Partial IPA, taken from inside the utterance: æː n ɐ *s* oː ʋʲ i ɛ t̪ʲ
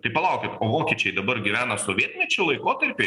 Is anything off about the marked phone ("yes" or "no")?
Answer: no